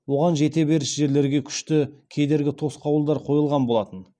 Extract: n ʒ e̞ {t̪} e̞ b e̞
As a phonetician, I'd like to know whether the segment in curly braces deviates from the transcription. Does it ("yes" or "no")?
no